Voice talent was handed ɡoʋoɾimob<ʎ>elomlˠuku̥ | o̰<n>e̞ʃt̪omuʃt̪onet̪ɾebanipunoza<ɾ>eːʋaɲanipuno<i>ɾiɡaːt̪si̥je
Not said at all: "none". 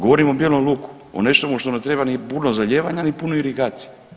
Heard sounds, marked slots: j, n, ʎ, i

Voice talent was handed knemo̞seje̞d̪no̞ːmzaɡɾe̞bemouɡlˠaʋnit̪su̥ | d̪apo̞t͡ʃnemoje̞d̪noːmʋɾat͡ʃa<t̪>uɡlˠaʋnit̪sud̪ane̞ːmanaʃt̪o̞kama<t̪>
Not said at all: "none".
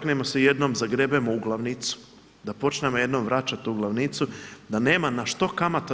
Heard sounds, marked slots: t̪, t̪

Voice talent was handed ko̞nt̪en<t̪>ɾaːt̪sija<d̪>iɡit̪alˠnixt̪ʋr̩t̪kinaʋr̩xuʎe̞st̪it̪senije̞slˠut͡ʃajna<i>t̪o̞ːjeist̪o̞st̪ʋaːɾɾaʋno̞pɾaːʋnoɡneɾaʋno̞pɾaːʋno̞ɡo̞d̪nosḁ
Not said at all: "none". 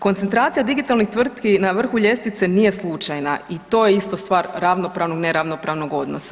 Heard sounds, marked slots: t̪, d̪, i

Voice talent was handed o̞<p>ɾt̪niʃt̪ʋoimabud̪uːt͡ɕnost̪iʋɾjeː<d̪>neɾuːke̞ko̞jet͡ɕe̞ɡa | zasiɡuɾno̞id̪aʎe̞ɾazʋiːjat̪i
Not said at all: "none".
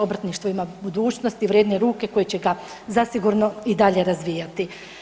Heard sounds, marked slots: b, d̪

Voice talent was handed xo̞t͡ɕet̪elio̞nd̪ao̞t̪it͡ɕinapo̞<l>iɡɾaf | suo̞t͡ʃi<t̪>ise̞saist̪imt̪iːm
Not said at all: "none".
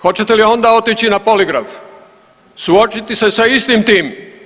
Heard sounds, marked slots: l, t̪

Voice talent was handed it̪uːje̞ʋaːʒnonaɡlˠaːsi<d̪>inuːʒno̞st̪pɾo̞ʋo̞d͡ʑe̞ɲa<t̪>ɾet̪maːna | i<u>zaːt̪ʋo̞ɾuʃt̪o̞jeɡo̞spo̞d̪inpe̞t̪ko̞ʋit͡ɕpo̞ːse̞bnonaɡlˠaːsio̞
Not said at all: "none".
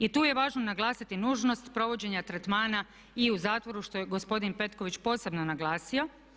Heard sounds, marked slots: t̪, t̪, u

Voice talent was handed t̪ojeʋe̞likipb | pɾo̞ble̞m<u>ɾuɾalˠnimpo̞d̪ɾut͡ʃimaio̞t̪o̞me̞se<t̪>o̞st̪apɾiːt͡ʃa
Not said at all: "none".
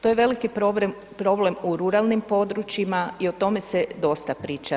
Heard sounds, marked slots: u, d̪

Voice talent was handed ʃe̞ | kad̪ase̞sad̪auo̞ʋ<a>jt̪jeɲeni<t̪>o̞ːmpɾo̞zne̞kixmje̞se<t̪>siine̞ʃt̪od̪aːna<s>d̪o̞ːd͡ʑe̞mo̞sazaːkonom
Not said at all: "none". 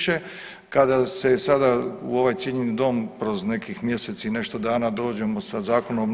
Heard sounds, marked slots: a, d̪, t̪, none

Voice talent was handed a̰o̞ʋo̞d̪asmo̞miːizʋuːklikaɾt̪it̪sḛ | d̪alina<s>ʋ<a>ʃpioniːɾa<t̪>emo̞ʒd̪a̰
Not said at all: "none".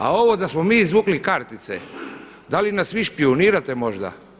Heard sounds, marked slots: s, i, t̪

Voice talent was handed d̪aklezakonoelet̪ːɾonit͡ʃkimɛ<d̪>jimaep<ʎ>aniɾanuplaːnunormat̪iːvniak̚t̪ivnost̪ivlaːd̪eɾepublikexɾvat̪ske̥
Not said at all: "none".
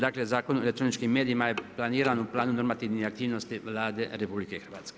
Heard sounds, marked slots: d̪, l

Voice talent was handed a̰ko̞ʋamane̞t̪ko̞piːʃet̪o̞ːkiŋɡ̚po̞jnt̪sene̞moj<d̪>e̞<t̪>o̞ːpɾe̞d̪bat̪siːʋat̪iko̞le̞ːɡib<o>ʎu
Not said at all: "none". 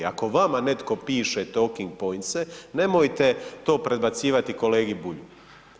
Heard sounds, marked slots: t̪, t̪, u

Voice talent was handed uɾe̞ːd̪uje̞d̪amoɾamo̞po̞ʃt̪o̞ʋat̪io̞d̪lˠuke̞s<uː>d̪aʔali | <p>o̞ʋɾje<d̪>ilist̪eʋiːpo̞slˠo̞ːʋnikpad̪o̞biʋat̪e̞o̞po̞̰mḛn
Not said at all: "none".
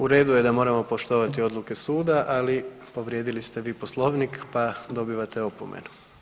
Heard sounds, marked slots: uː, p, d̪

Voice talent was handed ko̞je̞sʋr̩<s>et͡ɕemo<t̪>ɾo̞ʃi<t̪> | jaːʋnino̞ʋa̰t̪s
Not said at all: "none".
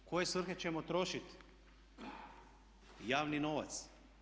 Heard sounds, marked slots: x, t̪, t̪

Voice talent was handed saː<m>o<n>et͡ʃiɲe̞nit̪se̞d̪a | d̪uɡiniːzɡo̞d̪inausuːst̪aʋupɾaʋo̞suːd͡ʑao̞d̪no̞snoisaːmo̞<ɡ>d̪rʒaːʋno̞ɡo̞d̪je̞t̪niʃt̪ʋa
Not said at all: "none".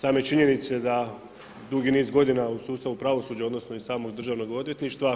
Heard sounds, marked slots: m, none, ɡ

